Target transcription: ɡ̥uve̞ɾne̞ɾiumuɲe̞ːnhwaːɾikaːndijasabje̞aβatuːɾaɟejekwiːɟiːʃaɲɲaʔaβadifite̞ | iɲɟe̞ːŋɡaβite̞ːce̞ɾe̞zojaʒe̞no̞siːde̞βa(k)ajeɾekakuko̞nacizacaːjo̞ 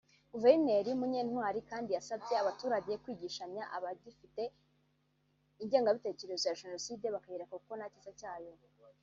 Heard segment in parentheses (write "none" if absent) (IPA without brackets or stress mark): k